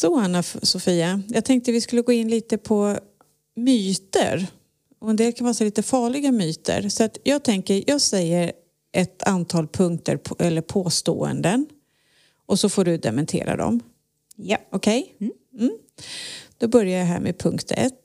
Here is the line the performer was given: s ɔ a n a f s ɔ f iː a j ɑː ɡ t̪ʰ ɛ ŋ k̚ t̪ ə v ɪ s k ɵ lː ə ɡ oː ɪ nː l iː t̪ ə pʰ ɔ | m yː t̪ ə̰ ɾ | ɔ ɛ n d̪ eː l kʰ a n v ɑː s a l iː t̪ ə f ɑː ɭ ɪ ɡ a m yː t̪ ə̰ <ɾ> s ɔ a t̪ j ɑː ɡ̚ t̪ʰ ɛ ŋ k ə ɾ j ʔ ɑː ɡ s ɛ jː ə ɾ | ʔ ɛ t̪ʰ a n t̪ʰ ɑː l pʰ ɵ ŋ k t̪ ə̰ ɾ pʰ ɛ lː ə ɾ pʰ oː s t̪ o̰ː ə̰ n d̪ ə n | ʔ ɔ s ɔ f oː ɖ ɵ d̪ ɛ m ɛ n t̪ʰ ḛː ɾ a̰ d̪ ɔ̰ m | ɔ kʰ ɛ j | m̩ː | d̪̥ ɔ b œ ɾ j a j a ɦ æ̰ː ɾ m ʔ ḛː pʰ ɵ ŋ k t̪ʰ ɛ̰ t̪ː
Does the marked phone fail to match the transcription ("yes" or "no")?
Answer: no